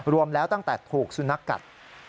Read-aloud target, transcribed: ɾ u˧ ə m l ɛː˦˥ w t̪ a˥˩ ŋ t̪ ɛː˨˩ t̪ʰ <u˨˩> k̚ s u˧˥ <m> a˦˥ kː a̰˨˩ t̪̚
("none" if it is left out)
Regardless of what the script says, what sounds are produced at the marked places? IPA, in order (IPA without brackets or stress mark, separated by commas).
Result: uː˨˩, n